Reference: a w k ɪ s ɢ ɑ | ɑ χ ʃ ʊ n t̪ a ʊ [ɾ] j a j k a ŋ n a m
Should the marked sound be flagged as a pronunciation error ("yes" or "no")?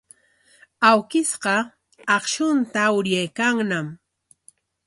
no